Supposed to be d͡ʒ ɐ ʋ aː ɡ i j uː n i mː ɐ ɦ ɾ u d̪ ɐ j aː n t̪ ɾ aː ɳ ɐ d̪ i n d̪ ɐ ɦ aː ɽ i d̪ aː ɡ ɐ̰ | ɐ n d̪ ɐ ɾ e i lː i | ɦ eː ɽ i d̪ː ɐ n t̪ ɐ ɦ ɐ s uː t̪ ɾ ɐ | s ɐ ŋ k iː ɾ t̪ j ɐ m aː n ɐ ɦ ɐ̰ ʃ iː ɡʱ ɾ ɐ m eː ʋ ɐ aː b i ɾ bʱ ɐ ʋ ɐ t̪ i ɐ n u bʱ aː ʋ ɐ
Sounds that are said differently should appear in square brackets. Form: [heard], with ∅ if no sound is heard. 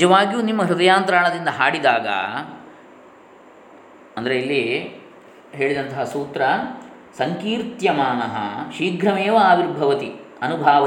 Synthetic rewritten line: d͡ʒ ɐ ʋ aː ɡ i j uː n i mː ɐ ɦ ɾ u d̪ ɐ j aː n t̪ ɾ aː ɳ ɐ d̪ i n d̪ ɐ ɦ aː ɽ i d̪ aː ɡ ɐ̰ | ɐ n d̪ ɐ ɾ e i lː i | ɦ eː [ɭ] i [d̪] ɐ n t̪ ɐ ɦ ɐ s uː t̪ ɾ ɐ | s ɐ ŋ k iː ɾ t̪ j ɐ m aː n ɐ ɦ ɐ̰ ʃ iː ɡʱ ɾ ɐ m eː ʋ ɐ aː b i ɾ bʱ ɐ ʋ ɐ t̪ i ɐ n u bʱ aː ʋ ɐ